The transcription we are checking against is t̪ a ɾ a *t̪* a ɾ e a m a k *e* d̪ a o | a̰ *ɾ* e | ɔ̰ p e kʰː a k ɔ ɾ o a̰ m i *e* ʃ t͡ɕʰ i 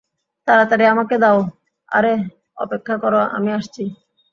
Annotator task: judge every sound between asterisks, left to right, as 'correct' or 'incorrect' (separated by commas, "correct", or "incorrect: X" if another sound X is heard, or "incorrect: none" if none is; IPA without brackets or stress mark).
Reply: correct, correct, correct, incorrect: a